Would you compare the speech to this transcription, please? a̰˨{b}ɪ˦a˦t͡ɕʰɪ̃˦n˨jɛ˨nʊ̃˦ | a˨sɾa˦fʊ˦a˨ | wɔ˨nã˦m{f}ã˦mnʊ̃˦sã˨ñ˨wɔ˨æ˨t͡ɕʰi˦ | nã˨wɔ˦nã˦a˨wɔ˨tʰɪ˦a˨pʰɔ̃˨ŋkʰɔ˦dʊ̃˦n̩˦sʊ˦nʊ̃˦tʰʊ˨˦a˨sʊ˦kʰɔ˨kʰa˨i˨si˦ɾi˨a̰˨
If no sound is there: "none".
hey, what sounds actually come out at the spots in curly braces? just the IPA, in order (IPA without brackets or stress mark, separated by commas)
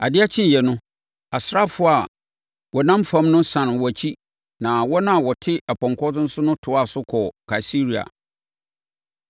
d, f